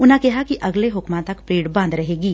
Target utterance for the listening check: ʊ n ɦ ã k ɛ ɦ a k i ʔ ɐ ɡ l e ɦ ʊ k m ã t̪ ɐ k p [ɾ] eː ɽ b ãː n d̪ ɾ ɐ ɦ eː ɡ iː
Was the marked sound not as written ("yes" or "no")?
no